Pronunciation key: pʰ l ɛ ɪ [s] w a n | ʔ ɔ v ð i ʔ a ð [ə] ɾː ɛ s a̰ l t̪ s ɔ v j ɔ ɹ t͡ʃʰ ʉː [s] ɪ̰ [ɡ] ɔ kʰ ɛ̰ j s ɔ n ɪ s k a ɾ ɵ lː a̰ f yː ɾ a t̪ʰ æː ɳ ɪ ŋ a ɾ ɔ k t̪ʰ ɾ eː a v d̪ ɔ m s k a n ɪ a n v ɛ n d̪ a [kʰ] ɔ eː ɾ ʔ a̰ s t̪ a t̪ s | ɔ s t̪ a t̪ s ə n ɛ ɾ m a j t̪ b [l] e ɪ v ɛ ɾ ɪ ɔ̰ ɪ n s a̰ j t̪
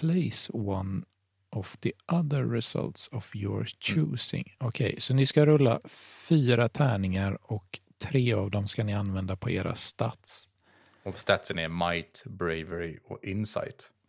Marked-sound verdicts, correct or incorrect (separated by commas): correct, correct, correct, incorrect, incorrect, incorrect